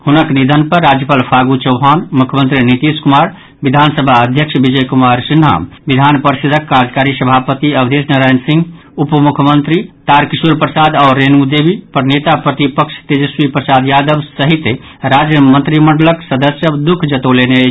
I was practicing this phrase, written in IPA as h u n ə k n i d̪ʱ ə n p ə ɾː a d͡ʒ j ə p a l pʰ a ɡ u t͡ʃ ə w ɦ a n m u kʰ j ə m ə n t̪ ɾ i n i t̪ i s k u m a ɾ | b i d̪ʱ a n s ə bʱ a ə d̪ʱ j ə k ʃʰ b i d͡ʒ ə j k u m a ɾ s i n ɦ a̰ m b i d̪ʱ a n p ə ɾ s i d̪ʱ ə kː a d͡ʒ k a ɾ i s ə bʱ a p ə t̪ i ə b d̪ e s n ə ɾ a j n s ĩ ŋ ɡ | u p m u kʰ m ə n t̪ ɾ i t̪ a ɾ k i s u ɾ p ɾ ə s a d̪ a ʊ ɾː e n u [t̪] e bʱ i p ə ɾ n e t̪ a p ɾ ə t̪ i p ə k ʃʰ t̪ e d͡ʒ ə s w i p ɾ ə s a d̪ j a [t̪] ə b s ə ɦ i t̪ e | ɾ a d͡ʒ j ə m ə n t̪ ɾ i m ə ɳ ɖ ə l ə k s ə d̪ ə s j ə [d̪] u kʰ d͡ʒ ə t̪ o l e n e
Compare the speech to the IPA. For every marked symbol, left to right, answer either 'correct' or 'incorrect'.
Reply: incorrect, incorrect, correct

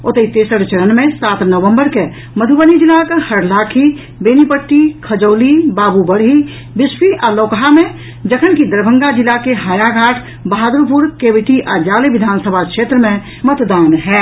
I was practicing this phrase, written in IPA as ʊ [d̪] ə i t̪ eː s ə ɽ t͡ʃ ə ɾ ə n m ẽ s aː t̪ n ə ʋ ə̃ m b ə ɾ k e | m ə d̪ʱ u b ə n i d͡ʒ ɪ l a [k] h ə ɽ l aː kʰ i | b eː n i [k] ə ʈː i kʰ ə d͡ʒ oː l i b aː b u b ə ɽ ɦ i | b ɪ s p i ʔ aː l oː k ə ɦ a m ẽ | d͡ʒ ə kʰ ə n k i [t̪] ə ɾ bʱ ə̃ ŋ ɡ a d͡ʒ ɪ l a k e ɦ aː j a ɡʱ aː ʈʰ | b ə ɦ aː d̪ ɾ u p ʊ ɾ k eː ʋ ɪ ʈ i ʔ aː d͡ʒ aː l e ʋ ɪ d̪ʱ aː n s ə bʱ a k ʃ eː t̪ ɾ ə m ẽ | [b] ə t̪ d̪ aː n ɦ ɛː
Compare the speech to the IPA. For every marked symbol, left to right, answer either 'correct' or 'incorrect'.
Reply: incorrect, correct, incorrect, incorrect, incorrect

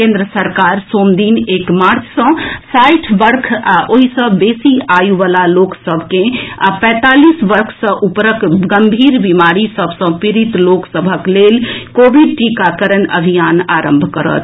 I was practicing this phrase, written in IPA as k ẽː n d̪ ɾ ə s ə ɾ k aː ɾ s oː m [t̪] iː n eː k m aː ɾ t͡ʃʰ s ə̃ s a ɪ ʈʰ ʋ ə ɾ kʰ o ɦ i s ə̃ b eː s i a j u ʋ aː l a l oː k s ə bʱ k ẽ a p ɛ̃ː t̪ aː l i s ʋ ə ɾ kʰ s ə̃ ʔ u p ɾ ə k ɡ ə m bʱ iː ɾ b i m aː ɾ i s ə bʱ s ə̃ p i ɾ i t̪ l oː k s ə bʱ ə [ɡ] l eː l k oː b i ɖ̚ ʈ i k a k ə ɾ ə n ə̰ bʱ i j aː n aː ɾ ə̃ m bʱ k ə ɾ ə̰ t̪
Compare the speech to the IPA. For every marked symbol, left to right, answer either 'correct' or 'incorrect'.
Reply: incorrect, incorrect

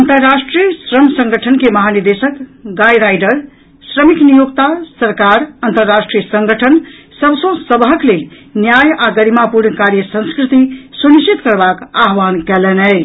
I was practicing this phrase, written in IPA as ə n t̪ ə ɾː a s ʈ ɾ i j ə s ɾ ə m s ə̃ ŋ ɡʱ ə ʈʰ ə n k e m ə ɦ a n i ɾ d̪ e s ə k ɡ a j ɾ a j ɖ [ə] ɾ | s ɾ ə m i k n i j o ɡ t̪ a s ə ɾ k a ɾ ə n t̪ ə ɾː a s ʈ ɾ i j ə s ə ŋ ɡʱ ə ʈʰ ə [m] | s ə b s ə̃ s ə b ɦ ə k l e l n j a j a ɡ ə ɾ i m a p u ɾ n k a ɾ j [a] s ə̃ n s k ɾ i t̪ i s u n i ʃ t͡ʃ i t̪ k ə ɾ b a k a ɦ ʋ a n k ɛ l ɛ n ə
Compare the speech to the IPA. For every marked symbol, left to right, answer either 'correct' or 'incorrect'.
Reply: correct, incorrect, incorrect

